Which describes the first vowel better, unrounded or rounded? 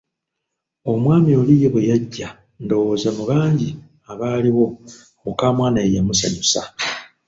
rounded